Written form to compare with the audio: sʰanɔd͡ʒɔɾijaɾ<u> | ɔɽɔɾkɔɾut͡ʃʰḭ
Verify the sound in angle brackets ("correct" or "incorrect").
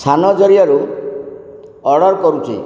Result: correct